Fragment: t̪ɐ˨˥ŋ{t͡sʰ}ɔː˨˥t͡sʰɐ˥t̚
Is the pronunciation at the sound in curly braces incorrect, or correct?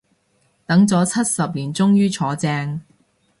incorrect